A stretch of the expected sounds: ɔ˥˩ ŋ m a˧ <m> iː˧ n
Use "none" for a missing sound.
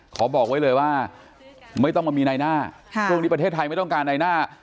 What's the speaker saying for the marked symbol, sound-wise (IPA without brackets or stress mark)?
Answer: m